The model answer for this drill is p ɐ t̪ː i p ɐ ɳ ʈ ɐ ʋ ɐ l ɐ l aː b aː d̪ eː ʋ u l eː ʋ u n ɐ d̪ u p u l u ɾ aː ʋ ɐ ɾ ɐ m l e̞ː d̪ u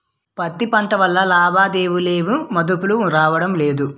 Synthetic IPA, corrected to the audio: p ɐ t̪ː i p ɐ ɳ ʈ ɐ ʋ ɐ lː ɐ l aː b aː d̪ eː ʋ u l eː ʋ u m ɐ d̪ u p u l u ɾ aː ʋ ɐ ɽ ɐ m l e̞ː d̪ u

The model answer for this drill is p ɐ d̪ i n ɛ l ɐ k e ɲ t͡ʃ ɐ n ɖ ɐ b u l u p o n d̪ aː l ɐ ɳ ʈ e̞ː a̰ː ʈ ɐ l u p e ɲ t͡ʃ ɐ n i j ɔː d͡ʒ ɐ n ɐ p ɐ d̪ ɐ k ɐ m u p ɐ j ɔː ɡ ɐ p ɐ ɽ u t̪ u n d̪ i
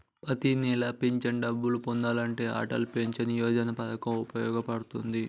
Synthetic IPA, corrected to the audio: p ɐ t̪ i n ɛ l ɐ p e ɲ t͡ʃ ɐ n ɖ ɐ bː u l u p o n d̪ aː l ɐ ɳ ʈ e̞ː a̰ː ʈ ɐ l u p e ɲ t͡ʃ ɐ n i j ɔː d͡ʒ ɐ n ɐ p ɐ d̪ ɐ k ɐ m u p ɐ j ɔː ɡ ɐ p ɐ ɽ u t̪ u n d̪ i

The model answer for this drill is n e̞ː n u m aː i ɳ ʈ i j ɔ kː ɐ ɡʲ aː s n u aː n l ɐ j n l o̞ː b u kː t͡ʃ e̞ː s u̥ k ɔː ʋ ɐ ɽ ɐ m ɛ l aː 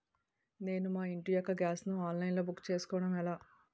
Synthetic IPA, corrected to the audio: n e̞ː n u m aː i ɳ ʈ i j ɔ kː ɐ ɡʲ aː s n u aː n l ɐ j n l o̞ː b u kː t͡ʃ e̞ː s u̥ k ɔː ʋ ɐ ɽ ɐ m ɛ l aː

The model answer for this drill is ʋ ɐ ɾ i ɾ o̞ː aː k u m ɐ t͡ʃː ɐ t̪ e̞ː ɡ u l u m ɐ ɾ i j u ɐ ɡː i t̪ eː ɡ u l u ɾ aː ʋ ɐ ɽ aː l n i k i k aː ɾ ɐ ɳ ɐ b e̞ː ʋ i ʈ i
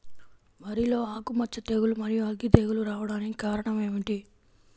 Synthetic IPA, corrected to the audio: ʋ ɐ ɾ i l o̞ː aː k u m ɐ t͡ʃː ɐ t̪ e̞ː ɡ u l u m ɐ ɾ i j u ɐ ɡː i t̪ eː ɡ u l u ɾ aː ʋ ɐ ɽ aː n i k i k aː ɾ ɐ ɳ ɐ m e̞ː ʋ i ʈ i

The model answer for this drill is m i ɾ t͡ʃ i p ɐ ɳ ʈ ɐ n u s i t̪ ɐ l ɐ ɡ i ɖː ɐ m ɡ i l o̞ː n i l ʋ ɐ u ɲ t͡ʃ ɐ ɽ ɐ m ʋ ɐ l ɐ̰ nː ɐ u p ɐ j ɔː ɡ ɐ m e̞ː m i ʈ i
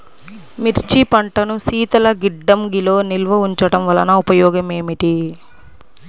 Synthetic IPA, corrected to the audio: m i ɾ t͡ʃ i p ɐ ɳ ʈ ɐ n u s iː t̪ ɐ l ɐ ɡ i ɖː ɐ m ɡ i l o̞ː n i l ʋ ɐ u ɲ t͡ʃ ɐ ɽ ɐ m ʋ ɐ l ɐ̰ n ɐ u p ɐ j ɔː ɡ ɐ m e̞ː m i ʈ i

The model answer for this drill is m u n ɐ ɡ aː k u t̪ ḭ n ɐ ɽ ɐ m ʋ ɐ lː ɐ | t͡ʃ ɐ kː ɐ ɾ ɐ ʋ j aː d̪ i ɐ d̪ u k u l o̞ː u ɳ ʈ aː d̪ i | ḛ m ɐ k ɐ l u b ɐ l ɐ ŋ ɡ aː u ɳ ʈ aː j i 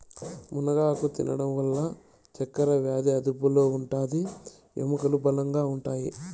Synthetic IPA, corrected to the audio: m u n ɐ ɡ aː k u t̪ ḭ n ɐ ɽ ɐ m ʋ ɐ lː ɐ | t͡ʃ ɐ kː ɐ ɾ ɐ ʋ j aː d̪ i ɐ d̪ u p u l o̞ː u ɳ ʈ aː d̪ i | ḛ m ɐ k ɐ l u b ɐ l ɐ ŋ ɡ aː u ɳ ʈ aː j i

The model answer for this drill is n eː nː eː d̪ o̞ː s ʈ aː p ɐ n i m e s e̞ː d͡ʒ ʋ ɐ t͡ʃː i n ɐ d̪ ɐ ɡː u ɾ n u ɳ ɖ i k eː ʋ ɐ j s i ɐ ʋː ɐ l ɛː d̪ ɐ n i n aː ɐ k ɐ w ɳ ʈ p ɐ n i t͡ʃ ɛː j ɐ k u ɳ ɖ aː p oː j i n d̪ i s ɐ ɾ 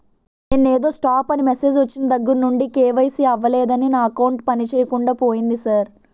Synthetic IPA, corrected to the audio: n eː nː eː d̪ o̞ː s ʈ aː p ɐ n i m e s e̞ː d͡ʒ ʋ ɐ t͡ʃː i n ɐ d̪ ɐ ɡː u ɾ n u ɳ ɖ i k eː ʋ ɐ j s i ɐ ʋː ɐ l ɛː d̪ ɐ n i n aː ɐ k ɐ w ɳ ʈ p ɐ n i t͡ʃ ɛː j ɐ k u ɳ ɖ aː p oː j i n d̪ i s ɐ ɾ

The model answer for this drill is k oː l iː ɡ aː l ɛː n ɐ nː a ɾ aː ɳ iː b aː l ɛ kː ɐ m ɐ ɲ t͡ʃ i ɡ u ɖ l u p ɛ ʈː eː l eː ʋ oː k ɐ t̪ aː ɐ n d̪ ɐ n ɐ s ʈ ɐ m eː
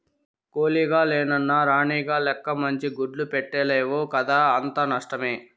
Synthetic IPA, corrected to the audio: k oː l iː ɡ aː l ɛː n ɐ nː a ɾ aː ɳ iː ɡ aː l ɛ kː ɐ m ɐ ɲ t͡ʃ i ɡ u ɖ l u p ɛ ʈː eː l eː ʋ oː k ɐ d̪ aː ɐ n t̪ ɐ n ɐ ʂ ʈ ɐ m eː

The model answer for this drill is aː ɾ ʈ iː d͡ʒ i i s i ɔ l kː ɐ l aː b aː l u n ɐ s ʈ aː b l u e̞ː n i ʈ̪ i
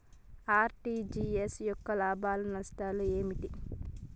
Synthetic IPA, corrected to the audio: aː ɾ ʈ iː d͡ʒ i e s j ɔ kː ɐ l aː b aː l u n ɐ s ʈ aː l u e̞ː m i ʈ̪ i

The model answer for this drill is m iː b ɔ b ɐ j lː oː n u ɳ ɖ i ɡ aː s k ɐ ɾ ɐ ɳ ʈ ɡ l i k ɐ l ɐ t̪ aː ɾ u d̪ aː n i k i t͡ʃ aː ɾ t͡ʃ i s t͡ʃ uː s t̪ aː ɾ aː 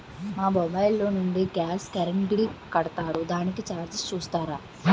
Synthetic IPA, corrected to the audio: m aː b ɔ b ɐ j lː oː n u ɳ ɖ i ɡ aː s k ɐ ɾ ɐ ɳ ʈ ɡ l i k ɐ ɽ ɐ t̪ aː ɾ u d̪ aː n i k i t͡ʃ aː ɾ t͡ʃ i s t͡ʃ uː s t̪ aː ɾ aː

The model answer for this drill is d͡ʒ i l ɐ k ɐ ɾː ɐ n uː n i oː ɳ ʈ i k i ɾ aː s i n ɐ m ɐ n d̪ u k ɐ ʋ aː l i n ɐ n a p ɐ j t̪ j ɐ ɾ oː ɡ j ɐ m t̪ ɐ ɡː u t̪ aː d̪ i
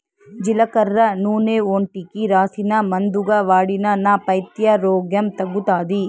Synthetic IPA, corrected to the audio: d͡ʒ i l ɐ k ɐ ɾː ɐ n uː n e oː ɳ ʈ i k i ɾ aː s i n ɐ m ɐ n d̪ u ɡ ɐ ʋ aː ɽ i n ɐ n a p ɐ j t̪ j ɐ ɾ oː ɡ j ɐ m t̪ ɐ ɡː u t̪ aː d̪ i

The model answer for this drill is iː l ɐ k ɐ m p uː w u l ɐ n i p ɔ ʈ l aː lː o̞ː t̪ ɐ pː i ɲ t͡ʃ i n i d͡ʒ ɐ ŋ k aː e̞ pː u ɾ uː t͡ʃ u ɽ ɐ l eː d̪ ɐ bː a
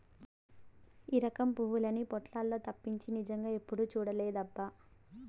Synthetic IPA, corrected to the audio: iː ɾ ɐ k ɐ m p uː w u l ɐ n i p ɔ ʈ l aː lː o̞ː t̪ ɐ pː i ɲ t͡ʃ i n i d͡ʒ ɐ ŋ ɡ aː e̞ pː u ɽ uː t͡ʃ uː ɽ ɐ l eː d̪ ɐ bː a

